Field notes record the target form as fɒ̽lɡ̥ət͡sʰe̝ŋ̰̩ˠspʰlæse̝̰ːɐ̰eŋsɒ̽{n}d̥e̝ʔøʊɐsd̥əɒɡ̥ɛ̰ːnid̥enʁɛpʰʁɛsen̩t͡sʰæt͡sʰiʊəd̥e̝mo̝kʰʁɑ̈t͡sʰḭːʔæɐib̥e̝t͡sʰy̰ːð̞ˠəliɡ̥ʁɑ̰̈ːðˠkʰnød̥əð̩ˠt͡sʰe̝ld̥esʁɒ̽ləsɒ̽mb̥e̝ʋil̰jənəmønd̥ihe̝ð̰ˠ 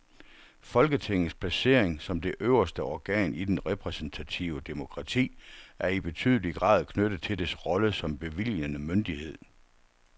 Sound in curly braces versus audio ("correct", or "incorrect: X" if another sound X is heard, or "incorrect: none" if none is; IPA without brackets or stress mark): incorrect: m